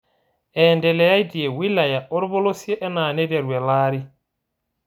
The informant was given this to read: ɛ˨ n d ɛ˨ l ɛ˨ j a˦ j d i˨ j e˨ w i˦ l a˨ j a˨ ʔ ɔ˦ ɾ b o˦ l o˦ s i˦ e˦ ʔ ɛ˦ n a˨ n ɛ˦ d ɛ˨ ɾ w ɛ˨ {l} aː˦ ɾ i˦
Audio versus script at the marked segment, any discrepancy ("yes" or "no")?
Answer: no